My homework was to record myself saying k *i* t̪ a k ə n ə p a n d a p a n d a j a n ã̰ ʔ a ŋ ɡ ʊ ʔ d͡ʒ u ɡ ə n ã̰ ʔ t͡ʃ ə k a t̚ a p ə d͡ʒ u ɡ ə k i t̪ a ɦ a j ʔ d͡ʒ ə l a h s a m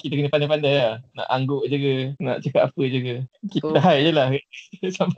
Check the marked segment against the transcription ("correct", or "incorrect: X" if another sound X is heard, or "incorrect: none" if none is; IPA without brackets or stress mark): correct